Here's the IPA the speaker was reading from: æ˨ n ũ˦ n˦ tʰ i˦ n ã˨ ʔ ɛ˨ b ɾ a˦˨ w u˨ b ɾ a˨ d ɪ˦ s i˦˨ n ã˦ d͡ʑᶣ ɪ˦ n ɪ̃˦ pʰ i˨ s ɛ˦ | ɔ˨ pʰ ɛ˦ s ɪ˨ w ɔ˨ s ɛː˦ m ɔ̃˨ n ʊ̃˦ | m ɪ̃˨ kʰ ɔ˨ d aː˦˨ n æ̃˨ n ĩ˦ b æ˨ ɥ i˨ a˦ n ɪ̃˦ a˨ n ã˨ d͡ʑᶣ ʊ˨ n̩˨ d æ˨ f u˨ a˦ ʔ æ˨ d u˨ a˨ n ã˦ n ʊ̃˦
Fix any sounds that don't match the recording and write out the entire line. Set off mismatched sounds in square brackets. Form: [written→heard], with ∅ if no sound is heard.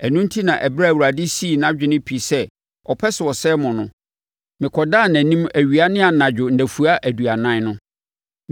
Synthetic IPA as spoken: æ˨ n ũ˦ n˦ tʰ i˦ n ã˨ ʔ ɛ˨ b ɾ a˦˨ w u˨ [b→∅] ɾ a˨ d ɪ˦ s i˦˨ n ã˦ d͡ʑᶣ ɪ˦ n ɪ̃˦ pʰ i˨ s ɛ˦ | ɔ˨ pʰ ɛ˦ s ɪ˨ w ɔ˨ s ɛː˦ m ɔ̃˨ n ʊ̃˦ | m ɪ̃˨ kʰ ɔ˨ d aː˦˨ n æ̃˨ n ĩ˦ [b→m] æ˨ ɥ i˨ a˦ n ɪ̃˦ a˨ n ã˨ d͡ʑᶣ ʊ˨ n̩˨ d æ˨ f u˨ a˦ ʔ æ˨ d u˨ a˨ n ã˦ n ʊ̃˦